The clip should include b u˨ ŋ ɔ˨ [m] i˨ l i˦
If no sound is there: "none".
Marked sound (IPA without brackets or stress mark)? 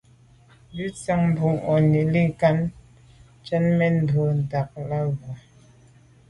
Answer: n